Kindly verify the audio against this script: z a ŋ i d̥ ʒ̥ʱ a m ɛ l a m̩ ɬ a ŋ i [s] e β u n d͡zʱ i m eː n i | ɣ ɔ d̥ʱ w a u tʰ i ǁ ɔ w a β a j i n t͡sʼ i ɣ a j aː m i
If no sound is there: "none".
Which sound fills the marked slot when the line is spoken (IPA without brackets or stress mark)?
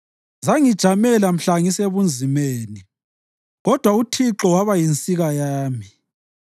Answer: s